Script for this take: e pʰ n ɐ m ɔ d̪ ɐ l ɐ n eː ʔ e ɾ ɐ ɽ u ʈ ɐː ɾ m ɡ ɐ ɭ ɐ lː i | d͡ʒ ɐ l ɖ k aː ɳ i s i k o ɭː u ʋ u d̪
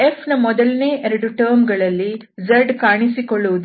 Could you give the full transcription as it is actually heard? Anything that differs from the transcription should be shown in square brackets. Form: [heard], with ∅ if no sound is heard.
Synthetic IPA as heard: e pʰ n ɐ m ɔ d̪ ɐ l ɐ n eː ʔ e ɾ ɐ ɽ u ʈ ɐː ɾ m ɡ ɐ ɭ ɐ lː i | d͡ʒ ɐ [ɾ] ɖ k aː ɳ i s i k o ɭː u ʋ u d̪